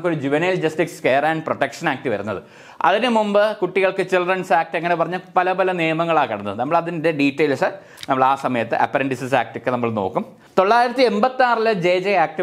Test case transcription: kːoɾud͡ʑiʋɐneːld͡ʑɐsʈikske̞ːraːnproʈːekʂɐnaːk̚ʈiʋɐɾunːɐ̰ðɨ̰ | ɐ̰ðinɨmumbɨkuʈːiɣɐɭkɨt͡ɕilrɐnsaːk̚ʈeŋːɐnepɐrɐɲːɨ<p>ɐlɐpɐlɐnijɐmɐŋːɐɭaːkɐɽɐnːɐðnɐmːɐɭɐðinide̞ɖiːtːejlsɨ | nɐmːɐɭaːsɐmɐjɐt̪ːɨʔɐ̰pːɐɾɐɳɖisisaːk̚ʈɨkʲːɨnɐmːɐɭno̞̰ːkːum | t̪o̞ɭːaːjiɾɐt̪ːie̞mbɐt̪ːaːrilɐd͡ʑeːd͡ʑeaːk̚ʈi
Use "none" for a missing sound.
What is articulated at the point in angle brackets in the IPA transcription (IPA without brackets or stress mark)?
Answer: p